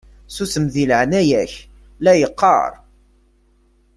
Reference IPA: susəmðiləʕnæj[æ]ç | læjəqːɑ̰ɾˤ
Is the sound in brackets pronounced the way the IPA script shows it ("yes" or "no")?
yes